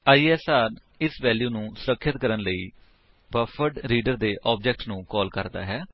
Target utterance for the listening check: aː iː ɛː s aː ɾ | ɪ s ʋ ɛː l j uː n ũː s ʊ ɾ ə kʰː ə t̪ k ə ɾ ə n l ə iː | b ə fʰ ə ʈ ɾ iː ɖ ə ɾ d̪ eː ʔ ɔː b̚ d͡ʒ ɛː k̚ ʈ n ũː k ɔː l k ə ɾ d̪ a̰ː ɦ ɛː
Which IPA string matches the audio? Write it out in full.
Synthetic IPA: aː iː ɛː s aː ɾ | ɪ s ʋ ɛː l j uː n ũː s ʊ ɾ ə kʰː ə t̪ k ə ɾ ə n l ə iː | b ə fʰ ə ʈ ɾ iː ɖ ə ɾ d̪ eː ʔ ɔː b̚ d͡ʒ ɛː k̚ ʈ n ũː k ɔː l k ə ɾ d̪ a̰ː ɦ ɛː